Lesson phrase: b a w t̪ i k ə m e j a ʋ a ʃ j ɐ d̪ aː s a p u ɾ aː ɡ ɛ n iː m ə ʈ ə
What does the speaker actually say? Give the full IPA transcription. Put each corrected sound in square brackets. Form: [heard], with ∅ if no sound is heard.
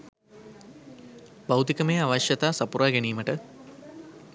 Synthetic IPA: b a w t̪ i k ə m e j a ʋ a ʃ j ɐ [t̪] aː s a p u ɾ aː ɡ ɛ n iː m ə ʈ ə